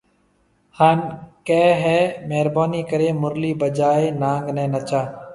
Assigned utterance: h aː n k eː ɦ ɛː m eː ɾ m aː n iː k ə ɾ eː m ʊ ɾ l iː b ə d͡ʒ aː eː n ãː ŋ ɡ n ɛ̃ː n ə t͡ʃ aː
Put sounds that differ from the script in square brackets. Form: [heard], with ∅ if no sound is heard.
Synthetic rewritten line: h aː n k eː ɦ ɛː m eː ɾ [b] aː n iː k ə ɾ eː m ʊ ɾ l iː b ə d͡ʒ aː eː n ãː ŋ ɡ n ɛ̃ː n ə t͡ʃ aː